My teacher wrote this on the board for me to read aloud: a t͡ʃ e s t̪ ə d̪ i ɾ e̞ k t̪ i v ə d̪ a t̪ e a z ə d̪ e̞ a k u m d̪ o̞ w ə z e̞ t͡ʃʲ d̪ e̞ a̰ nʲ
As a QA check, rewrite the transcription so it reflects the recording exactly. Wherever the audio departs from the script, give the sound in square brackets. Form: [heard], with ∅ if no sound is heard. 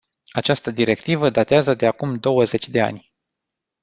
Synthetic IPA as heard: a t͡ʃ [a] s t̪ ə d̪ i ɾ e̞ k t̪ i v ə d̪ a t̪ e a z ə d̪ e̞ a k u m d̪ o̞ w ə z e̞ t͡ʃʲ d̪ e̞ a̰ nʲ